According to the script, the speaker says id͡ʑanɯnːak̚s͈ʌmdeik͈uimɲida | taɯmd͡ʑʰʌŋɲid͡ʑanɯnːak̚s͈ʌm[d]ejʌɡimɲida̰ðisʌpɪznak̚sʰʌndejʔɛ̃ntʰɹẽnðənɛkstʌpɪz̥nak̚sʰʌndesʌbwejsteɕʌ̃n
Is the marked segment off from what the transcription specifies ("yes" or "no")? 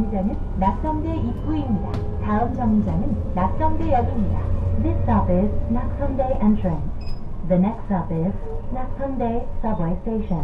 no